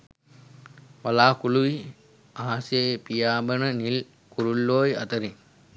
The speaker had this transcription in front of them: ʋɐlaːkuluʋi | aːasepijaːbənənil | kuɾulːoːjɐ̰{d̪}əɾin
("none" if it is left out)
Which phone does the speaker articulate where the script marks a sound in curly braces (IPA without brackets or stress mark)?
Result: t̪